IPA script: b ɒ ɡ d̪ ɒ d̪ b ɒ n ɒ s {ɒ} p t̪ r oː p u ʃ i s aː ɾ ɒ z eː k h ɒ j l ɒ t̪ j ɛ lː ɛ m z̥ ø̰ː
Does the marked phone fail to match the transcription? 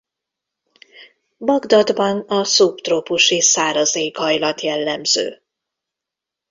yes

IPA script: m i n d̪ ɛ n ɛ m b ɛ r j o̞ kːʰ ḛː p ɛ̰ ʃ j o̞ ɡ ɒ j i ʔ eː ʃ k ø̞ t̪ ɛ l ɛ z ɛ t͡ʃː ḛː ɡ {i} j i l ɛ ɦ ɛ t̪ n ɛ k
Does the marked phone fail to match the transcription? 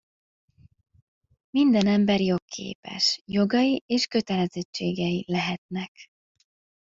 yes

